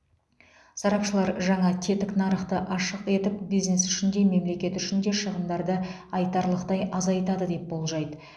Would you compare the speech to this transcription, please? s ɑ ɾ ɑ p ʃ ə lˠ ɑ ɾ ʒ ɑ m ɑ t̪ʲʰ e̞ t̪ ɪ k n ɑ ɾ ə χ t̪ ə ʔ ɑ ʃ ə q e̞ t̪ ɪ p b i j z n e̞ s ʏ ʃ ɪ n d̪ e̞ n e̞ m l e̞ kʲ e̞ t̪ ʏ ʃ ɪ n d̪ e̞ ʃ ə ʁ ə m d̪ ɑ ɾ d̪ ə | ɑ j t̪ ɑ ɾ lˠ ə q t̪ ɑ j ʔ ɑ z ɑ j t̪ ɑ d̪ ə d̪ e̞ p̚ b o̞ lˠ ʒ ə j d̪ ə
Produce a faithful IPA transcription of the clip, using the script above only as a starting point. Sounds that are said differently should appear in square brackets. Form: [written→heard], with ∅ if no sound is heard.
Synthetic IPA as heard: s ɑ ɾ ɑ p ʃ ə lˠ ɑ ɾ ʒ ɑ [m→ɴ] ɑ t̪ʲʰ e̞ t̪ ɪ k n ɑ ɾ ə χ t̪ ə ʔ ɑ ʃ ə q e̞ t̪ ɪ p b i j z n e̞ s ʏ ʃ ɪ n d̪ e̞ [n→m] e̞ m l e̞ kʲ e̞ t̪ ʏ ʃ ɪ n d̪ e̞ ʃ ə ʁ ə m d̪ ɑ ɾ d̪ ə | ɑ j t̪ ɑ ɾ lˠ ə q t̪ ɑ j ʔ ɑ z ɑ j t̪ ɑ d̪ ə d̪ e̞ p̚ b o̞ lˠ ʒ [ə→ɑ] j d̪ ə

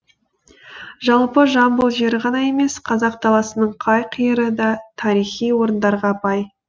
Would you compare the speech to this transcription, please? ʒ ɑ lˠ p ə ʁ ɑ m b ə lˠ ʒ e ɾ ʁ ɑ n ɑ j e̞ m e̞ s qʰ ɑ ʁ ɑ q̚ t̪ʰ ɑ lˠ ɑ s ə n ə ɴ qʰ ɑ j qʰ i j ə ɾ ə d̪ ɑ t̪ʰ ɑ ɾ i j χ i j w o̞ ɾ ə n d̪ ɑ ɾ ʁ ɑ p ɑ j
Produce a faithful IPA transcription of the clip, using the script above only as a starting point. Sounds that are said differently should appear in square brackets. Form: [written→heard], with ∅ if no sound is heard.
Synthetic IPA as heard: ʒ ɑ lˠ p ə [ʁ→ʒ] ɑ m b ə lˠ ʒ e ɾ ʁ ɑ n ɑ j e̞ m e̞ s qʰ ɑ [ʁ→z] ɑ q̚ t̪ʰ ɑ lˠ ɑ s ə n ə ɴ qʰ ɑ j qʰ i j ə ɾ ə d̪ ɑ t̪ʰ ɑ ɾ i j χ i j w o̞ ɾ ə n d̪ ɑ ɾ ʁ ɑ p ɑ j

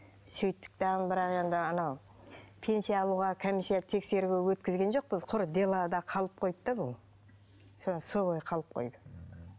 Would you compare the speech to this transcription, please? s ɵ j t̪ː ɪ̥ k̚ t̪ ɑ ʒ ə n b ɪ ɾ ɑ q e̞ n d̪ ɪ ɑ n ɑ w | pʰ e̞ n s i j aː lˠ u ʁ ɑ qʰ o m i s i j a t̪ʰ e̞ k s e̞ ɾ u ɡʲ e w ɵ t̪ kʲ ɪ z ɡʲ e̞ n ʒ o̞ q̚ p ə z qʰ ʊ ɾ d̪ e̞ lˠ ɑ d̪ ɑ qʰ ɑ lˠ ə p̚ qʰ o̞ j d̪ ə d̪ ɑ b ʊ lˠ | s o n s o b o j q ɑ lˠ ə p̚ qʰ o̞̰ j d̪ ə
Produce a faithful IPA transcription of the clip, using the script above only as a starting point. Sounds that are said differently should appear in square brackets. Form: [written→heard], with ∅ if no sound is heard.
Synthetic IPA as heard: s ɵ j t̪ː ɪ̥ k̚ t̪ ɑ [ʒ→ʁ] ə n b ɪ ɾ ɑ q e̞ n d̪ ɪ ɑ n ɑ w | pʰ e̞ n s i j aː lˠ u ʁ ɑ [qʰ→kʰ] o m i s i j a t̪ʰ e̞ k s e̞ ɾ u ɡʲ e w ɵ t̪ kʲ ɪ z ɡʲ e̞ n ʒ o̞ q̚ p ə z qʰ ʊ ɾ d̪ e̞ lˠ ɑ d̪ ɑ qʰ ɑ lˠ ə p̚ qʰ o̞ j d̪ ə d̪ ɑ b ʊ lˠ | s o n s o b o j [q→qʰ] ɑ lˠ ə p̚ qʰ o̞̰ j d̪ ə

